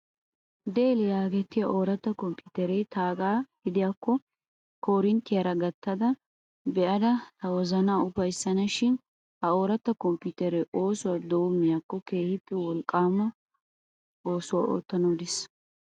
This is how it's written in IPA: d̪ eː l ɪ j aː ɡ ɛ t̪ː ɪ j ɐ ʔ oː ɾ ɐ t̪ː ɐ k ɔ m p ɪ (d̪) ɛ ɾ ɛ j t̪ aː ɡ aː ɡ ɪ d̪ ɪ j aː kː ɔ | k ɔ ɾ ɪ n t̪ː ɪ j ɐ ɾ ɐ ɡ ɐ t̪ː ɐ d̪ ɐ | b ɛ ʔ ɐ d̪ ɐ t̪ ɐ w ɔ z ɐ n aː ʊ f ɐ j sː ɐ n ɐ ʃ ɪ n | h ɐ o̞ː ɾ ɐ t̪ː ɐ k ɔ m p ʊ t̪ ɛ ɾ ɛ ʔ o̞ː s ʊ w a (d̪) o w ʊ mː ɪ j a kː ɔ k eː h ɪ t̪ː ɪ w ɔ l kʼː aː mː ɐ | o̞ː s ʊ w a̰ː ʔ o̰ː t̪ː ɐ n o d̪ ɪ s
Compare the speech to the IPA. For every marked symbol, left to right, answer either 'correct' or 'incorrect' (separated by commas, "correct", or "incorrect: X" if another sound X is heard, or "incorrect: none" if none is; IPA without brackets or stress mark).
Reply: incorrect: t̪, correct